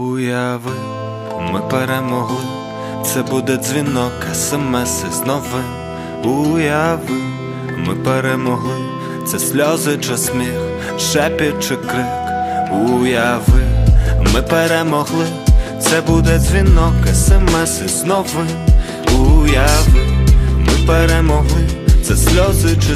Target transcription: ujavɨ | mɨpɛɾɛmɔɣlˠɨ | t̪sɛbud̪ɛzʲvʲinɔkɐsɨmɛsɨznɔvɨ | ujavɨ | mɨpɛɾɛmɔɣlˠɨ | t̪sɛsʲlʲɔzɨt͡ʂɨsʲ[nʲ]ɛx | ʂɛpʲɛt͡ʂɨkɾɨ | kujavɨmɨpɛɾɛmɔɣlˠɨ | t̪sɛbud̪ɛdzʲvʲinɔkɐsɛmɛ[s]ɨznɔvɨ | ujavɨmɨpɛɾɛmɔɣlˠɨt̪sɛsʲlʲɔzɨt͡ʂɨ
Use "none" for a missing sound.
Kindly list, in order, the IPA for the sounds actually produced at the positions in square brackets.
mʲ, s

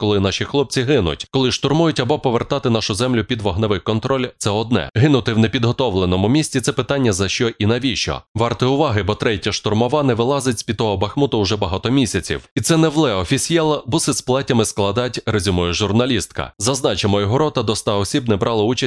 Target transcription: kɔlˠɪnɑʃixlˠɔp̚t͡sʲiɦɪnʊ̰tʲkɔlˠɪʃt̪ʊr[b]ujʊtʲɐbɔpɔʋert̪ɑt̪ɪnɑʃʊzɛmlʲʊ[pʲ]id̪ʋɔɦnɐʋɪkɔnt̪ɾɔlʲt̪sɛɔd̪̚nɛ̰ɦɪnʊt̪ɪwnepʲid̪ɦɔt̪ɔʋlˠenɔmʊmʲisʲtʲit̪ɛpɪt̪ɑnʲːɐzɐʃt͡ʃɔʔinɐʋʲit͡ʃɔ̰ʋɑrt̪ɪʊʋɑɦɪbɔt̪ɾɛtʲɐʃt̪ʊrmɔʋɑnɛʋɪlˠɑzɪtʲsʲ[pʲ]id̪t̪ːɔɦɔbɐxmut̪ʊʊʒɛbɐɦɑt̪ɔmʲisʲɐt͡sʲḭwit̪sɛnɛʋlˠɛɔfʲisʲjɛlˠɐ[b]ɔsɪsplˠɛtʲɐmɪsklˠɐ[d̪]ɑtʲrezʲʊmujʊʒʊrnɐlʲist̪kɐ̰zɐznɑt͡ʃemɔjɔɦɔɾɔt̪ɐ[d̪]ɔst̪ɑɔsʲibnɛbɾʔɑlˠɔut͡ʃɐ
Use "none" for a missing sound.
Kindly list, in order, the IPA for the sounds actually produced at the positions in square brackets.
m, pʲ, pʲ, b, d̪, d̪

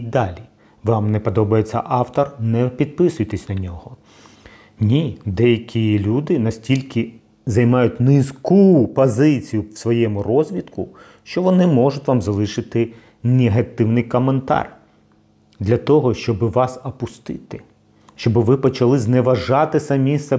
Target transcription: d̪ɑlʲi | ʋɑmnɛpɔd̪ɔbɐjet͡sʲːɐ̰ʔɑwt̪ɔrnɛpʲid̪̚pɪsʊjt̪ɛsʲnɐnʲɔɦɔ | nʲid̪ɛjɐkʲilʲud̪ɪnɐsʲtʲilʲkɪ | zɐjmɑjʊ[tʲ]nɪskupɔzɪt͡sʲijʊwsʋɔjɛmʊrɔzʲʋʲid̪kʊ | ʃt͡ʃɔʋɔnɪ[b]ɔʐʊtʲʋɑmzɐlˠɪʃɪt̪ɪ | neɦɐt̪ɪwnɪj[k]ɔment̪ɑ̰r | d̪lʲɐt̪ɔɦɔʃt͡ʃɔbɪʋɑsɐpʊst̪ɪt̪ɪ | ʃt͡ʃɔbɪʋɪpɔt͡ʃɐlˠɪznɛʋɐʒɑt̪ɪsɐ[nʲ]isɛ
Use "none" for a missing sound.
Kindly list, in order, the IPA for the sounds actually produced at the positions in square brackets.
tʲ, m, k, mʲ

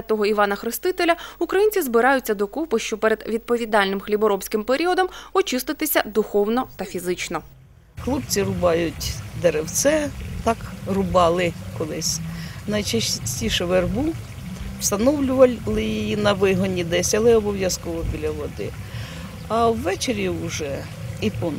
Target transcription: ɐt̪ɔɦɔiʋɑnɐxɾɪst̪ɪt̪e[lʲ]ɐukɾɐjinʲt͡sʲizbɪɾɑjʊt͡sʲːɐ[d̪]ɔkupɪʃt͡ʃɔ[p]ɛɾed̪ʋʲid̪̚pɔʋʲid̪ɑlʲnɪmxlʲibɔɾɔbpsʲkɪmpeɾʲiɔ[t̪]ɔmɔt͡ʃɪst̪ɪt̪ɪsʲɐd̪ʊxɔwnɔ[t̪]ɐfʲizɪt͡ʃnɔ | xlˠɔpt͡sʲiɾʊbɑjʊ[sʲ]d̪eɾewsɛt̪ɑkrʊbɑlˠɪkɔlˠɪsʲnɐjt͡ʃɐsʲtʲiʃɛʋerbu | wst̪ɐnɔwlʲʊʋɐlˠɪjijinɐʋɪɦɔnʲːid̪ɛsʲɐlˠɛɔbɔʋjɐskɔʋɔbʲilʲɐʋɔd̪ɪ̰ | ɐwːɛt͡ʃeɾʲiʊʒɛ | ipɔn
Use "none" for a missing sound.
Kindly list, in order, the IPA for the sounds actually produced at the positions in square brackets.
lʲ, d̪, p, d̪, t̪, tʲ

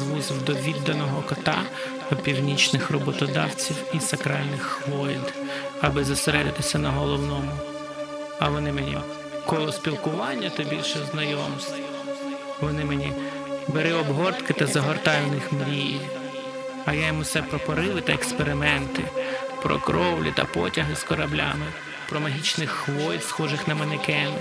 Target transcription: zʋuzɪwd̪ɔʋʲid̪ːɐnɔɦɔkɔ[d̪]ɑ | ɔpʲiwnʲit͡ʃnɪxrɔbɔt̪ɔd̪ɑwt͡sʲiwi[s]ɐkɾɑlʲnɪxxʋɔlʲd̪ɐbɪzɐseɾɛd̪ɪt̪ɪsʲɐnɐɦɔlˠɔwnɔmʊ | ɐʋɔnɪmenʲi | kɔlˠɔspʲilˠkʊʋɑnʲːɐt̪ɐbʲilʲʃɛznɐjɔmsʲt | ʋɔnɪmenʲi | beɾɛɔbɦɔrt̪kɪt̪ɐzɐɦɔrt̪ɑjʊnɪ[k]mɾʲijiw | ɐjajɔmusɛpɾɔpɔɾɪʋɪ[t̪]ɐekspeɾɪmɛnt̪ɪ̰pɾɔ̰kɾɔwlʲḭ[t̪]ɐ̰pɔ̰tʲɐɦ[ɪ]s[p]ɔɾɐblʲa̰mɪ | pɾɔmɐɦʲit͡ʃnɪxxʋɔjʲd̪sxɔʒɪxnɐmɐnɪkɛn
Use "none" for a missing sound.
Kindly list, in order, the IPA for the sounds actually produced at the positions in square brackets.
t̪, s, x, t̪, t̪, ɪ, k

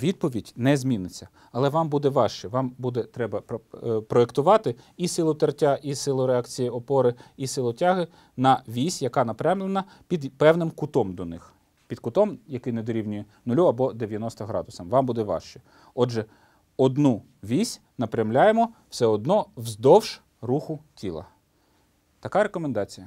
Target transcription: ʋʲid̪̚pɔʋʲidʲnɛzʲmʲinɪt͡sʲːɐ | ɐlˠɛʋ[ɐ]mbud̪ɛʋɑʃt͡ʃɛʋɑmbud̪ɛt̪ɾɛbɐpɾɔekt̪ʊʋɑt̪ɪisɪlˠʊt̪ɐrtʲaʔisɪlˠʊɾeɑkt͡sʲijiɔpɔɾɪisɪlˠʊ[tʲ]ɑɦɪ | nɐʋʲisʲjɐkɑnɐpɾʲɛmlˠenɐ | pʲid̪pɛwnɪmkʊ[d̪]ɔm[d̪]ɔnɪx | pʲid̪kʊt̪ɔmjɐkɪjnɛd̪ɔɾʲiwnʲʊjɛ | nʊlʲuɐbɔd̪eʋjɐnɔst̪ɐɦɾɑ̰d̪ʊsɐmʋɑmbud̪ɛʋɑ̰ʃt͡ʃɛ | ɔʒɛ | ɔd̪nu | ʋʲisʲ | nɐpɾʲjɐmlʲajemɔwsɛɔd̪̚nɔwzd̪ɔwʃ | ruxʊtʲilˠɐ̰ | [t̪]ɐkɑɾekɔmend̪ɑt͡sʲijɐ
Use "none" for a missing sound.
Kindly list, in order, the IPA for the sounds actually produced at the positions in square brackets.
ɑ, tʲ, t̪, d̪, t̪

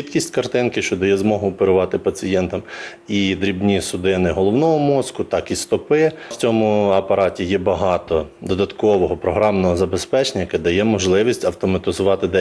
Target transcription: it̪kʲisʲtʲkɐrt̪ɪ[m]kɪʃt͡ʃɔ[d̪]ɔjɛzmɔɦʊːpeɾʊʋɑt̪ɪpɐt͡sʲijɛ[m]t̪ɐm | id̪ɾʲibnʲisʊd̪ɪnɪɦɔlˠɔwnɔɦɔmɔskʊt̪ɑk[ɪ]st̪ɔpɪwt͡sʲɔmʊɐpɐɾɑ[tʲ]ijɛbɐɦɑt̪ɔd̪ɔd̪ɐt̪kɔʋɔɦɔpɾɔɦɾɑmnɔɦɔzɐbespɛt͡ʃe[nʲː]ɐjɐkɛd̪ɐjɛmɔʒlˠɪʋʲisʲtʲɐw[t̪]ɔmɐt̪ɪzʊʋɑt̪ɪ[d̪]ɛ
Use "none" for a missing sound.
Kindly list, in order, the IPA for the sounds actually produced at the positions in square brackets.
n, d̪, n, i, tʲ, nʲ, t̪, d̪

